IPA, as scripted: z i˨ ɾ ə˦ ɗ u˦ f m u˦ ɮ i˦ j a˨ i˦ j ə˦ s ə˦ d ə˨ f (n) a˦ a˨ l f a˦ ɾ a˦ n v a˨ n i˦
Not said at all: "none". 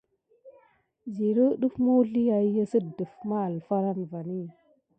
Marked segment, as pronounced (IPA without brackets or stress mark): m